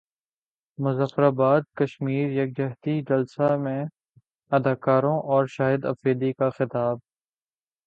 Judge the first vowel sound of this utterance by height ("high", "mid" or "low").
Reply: high